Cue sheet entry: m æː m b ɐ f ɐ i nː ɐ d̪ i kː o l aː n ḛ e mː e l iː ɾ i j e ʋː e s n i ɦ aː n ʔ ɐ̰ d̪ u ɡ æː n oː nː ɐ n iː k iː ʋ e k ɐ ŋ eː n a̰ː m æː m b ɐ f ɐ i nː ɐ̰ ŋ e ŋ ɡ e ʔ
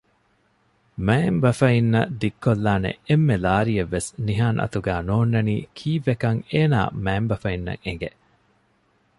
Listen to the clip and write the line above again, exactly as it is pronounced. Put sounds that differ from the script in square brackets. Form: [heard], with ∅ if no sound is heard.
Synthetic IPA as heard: m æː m b ɐ f ɐ i nː ɐ d̪ i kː o [lː] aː n ḛ e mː e l [aː] ɾ i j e ʋː e s n i ɦ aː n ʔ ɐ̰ [t̪] u ɡ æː n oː nː ɐ n iː [kʰ] iː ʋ e k ɐ ŋ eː n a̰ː m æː m b ɐ f ɐ i nː ɐ̰ ŋ e ŋ ɡ e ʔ